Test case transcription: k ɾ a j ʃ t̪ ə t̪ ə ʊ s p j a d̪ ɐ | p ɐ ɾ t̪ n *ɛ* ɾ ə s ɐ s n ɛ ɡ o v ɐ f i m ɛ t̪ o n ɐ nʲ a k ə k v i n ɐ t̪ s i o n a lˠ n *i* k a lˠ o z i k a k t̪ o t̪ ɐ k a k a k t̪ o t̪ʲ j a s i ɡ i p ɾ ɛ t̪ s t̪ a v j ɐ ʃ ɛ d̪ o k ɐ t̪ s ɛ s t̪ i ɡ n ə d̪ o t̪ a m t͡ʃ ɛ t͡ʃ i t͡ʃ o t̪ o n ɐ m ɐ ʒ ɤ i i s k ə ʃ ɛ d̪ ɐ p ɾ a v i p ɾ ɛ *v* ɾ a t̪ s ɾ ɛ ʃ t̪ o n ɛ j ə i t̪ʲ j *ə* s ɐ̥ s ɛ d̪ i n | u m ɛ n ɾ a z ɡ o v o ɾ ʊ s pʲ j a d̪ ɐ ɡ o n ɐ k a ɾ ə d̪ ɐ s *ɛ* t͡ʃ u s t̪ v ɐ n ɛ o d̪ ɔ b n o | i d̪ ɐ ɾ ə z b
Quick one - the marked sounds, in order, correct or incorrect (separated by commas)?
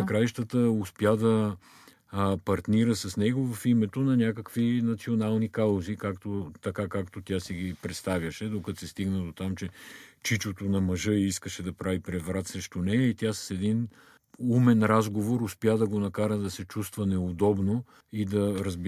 incorrect, correct, correct, incorrect, correct